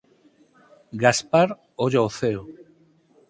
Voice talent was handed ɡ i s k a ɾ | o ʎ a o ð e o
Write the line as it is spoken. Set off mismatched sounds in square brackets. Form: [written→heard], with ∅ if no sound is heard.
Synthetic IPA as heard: ɡ [i→a] s [k→p] a ɾ | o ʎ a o [ð→θ] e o